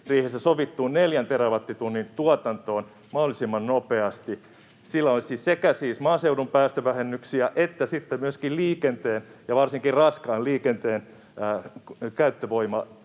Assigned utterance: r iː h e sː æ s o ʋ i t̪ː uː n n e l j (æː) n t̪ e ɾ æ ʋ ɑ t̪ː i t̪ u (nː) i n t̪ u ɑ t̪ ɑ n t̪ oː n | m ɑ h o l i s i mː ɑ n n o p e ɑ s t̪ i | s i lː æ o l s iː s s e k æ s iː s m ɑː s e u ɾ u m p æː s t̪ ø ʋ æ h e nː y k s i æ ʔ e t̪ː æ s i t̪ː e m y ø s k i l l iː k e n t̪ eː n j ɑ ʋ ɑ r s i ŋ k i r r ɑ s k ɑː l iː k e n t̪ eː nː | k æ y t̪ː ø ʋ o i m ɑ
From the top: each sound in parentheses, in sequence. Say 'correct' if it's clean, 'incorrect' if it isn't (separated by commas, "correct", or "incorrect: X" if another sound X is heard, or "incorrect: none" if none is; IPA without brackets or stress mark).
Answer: incorrect: æ, correct